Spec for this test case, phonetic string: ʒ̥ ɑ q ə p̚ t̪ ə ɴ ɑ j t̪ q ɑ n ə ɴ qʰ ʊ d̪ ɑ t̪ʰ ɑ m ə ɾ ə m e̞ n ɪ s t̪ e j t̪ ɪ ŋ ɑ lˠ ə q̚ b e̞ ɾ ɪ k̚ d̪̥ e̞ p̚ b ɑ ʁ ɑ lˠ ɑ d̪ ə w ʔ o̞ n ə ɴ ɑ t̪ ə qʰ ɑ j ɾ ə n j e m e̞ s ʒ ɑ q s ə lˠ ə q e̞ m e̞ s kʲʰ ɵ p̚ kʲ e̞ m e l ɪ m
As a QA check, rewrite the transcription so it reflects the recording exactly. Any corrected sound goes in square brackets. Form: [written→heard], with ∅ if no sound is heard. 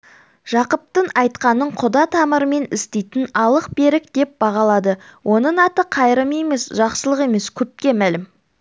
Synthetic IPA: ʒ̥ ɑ q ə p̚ t̪ ə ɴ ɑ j t̪ q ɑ n ə ɴ qʰ ʊ d̪ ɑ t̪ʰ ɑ m ə ɾ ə m e̞ n ɪ s t̪ e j t̪ ɪ [ŋ→n] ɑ lˠ ə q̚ b e̞ ɾ ɪ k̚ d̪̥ e̞ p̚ b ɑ ʁ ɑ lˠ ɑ d̪ ə w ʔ o̞ n ə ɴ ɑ t̪ ə qʰ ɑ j ɾ ə [n→m] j e m e̞ s ʒ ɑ q s ə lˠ ə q e̞ m e̞ s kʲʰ ɵ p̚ kʲ e̞ m [e→æ] l ɪ m